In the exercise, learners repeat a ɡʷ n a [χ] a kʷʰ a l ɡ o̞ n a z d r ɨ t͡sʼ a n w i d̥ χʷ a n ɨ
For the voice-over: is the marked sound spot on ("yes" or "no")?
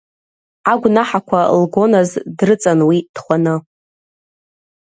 no